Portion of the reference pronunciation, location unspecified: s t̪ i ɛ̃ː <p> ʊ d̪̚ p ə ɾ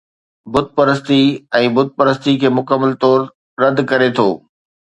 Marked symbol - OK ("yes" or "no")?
no